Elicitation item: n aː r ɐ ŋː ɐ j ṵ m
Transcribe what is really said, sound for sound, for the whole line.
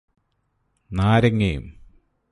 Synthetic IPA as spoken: n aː ɾ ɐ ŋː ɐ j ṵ m